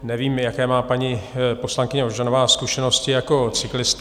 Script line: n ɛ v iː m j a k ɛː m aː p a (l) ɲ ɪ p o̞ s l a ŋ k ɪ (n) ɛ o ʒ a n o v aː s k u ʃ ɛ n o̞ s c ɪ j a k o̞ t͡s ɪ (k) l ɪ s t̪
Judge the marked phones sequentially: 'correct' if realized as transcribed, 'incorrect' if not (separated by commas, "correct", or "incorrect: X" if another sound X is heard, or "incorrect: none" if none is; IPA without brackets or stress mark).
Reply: incorrect: none, incorrect: ɲ, correct